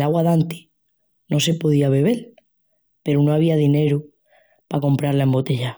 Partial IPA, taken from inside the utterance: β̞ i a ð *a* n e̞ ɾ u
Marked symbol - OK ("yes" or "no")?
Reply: no